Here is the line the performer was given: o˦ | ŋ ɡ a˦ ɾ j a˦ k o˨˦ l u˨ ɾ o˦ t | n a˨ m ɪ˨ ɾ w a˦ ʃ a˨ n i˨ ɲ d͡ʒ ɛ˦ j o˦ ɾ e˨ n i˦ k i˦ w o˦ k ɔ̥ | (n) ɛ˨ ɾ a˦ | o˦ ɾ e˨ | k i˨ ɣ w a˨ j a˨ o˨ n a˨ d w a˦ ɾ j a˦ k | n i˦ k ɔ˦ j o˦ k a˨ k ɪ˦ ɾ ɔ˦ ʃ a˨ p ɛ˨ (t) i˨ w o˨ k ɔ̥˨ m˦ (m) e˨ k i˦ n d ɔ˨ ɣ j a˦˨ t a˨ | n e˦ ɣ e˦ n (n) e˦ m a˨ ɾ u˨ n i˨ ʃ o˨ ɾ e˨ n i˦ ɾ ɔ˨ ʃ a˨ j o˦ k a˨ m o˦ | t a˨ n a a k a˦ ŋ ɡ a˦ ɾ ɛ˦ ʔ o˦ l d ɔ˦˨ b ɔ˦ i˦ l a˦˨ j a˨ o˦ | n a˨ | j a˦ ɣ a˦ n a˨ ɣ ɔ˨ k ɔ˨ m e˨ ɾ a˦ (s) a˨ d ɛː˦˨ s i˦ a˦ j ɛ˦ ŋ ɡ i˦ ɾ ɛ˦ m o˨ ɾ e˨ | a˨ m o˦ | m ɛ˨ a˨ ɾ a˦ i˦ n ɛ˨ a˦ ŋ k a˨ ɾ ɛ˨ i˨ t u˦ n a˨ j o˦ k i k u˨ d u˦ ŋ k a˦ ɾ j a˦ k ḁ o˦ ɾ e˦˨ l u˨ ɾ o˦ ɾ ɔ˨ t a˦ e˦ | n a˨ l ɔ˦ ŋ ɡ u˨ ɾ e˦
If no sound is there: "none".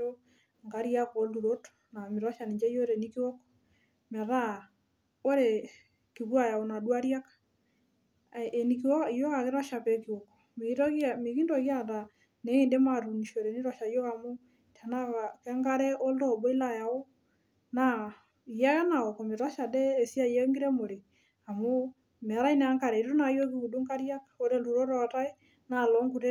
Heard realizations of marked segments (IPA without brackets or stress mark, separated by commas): m, k, m, d, ʃ